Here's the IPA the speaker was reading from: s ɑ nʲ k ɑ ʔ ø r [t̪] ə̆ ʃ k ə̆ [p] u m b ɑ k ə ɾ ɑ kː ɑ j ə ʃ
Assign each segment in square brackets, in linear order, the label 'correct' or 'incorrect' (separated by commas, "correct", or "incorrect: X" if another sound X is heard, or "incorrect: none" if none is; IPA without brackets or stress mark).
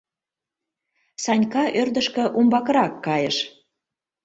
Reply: incorrect: d̪, incorrect: ʔ